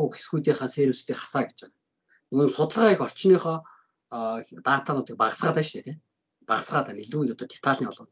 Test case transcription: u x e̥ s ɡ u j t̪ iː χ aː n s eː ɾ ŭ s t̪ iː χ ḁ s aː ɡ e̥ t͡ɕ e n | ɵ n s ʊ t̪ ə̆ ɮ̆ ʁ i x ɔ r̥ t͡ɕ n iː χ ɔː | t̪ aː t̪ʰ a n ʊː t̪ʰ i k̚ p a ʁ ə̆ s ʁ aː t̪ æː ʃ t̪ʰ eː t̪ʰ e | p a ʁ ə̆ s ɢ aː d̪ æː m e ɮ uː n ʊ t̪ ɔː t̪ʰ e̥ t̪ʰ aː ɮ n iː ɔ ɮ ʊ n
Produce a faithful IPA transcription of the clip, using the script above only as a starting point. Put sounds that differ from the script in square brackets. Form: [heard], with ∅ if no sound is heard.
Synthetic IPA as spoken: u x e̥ s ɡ u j t̪ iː χ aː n s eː ɾ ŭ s t̪ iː χ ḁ s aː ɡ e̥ t͡ɕ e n | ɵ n s ʊ t̪ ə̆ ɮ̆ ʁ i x ɔ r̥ t͡ɕ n iː χ ɔː | t̪ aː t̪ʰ a n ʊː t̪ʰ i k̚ p a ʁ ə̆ s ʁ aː t̪ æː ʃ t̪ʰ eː t̪ʰ e | p a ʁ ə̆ s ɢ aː [t̪] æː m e ɮ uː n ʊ t̪ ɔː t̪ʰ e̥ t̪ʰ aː ɮ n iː ɔ ɮ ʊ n